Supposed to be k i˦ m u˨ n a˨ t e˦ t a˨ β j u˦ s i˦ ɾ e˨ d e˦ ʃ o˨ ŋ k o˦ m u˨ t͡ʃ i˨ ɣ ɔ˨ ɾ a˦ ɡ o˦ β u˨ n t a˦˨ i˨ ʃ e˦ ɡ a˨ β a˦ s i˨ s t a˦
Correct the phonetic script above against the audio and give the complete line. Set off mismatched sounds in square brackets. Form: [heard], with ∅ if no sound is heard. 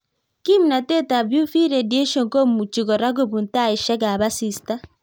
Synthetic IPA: k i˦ m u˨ n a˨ t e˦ t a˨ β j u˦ [f] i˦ ɾ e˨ d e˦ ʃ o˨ ŋ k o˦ m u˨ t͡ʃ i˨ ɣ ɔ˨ ɾ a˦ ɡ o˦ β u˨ n t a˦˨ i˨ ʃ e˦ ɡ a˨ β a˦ s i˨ s t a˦